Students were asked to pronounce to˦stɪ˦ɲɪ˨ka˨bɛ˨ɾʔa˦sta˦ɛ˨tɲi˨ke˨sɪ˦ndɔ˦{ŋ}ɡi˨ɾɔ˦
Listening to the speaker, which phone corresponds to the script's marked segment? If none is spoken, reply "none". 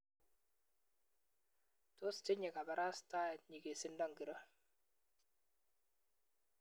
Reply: ŋ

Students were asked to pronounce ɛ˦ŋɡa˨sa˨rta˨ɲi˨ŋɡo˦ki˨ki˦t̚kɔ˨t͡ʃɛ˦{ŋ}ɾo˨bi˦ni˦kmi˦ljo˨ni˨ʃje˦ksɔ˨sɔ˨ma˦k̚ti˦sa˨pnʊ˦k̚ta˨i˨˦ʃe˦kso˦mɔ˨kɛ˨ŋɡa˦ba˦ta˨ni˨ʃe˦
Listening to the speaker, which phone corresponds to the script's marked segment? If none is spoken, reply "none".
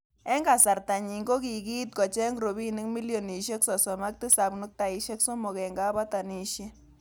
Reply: ŋ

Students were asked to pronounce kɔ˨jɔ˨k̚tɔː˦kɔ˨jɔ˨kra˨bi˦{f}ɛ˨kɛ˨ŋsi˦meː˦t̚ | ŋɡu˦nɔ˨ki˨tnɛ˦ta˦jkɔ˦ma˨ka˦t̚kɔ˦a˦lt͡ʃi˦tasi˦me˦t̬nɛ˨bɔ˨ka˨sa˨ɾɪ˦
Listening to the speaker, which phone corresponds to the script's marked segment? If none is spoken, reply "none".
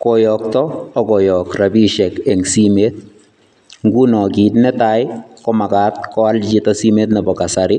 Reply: ʃ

